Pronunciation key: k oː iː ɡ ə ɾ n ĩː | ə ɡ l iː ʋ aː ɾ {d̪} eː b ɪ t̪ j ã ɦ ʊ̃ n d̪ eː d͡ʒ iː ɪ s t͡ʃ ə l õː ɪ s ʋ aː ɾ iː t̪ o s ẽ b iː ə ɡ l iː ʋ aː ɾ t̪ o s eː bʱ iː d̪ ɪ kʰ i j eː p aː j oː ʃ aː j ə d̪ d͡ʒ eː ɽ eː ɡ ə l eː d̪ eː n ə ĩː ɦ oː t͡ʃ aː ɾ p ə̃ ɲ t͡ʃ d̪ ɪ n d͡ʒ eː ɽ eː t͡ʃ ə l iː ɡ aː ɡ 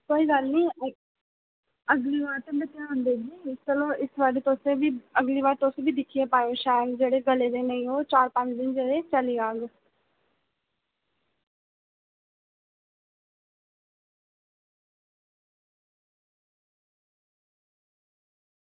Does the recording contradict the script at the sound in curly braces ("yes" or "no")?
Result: yes